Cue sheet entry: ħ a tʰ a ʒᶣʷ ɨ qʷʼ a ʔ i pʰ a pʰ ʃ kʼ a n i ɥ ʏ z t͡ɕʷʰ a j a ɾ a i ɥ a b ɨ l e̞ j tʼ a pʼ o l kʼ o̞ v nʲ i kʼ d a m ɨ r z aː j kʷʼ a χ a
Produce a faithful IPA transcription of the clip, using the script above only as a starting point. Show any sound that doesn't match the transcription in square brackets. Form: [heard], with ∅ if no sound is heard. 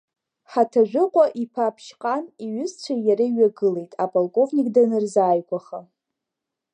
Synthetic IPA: ħ a tʰ a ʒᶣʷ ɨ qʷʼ a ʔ i pʰ a pʰ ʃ [qʼ] a n i ɥ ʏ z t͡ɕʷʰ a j a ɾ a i ɥ a [ɡ] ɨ l e̞ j tʼ a pʼ o l kʼ o̞ v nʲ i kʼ d a [n] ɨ r z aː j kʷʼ a χ a